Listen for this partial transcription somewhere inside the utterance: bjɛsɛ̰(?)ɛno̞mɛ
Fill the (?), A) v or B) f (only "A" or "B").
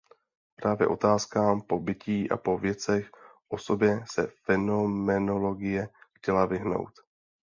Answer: B